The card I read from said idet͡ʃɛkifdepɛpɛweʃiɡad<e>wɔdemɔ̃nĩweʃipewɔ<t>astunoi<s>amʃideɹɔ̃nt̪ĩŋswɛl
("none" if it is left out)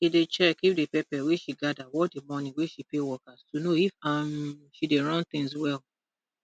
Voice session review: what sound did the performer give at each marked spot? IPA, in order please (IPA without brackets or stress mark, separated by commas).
a, k, f